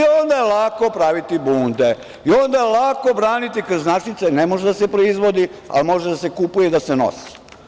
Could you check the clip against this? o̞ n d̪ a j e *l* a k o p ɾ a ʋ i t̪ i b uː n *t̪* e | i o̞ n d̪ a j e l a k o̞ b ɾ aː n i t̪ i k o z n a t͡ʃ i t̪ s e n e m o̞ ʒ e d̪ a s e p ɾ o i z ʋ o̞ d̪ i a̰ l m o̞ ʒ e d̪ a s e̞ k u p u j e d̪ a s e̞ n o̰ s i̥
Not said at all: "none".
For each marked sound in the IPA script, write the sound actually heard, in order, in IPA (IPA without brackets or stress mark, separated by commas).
l, d̪